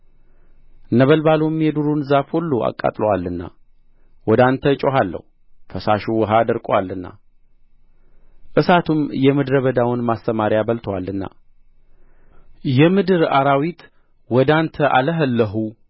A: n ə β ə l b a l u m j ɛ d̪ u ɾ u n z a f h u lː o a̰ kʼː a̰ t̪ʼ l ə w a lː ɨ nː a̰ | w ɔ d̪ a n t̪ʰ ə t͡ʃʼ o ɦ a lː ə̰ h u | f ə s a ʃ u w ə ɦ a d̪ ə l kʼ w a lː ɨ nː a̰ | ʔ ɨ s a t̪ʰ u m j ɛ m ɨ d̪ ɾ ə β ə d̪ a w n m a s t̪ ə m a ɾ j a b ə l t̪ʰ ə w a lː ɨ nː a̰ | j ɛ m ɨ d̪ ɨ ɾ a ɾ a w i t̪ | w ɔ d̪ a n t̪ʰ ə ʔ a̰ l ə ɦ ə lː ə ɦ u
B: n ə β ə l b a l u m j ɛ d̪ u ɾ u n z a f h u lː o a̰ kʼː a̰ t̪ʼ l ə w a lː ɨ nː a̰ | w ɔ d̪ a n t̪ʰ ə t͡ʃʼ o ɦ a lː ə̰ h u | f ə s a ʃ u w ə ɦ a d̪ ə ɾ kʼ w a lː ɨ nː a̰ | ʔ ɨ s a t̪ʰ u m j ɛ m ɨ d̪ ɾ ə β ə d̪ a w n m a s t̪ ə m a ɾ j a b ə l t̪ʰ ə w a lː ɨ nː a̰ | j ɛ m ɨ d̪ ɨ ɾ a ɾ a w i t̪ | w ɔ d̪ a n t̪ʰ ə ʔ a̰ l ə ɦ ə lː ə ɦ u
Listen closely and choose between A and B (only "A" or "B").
B